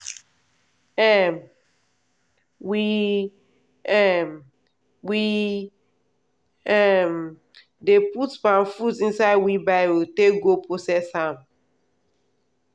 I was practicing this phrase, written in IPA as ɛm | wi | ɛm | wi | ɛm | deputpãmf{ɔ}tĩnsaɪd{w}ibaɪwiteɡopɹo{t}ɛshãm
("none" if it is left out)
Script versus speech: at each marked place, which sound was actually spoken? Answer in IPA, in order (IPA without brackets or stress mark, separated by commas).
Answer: u, w, s